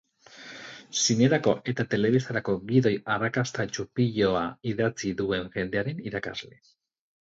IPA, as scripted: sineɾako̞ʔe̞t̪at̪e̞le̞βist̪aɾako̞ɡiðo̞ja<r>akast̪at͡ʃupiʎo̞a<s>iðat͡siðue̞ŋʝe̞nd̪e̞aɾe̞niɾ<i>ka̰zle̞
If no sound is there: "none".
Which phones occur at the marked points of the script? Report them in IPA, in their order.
r, none, a

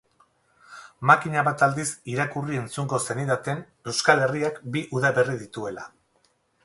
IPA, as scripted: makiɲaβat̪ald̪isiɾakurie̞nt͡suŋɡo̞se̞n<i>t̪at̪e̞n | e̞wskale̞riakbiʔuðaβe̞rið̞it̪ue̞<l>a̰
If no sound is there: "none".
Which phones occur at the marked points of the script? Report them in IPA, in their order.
i, l

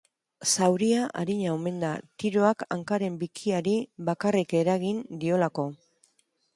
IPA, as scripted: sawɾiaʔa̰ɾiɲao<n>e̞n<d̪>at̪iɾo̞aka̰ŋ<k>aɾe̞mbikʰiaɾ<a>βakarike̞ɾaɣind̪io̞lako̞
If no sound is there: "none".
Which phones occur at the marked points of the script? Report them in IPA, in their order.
m, d̪, k, i

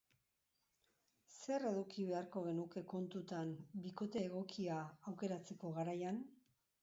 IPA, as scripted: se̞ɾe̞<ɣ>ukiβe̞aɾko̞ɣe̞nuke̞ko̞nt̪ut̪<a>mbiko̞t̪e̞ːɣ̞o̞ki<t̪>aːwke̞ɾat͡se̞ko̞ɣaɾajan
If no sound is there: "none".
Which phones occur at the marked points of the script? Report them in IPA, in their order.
ð, a, none

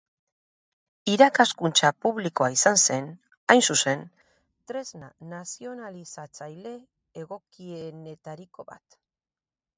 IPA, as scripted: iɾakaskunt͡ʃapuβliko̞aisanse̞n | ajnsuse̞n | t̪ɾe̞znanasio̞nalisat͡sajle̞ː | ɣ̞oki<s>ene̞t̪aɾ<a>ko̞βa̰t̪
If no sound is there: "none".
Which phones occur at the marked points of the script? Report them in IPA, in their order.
none, i

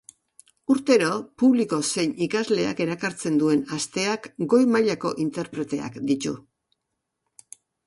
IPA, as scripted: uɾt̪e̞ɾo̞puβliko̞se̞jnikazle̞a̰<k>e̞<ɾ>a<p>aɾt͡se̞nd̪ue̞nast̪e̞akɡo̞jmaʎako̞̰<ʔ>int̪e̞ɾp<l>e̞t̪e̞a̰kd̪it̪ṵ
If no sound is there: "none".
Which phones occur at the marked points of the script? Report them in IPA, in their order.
k, ɾ, k, ʔ, ɾ

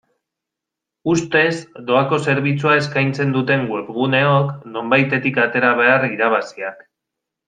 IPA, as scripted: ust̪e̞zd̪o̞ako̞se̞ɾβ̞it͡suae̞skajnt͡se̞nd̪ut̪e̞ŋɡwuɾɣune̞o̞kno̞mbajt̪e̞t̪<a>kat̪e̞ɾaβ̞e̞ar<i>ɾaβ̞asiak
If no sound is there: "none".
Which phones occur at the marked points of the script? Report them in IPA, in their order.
i, i

